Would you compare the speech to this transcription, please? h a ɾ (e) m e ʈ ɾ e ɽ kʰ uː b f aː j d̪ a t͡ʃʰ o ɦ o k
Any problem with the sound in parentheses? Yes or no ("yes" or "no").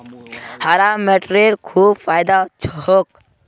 yes